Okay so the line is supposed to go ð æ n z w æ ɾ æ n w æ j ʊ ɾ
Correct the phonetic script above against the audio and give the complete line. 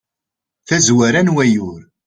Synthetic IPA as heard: θ æ z w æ ɾ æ n w æ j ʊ ɾ